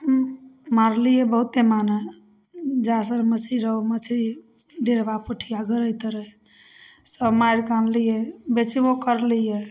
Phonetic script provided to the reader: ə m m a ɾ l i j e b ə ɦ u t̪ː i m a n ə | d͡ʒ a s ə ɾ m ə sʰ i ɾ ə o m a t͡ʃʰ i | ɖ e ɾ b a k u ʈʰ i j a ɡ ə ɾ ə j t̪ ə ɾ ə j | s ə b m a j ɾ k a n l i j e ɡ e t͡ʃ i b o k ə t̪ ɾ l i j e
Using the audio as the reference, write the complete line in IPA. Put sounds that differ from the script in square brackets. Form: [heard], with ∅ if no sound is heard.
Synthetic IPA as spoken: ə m m a ɾ l i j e b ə ɦ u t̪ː [e] m a n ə | d͡ʒ a s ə ɾ m ə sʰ i ɾ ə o m [ə] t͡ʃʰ i | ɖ e ɾ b a [p] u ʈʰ i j a ɡ ə ɾ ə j t̪ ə ɾ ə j | s ə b m a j ɾ k a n l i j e [b] e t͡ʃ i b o k ə [∅] ɾ l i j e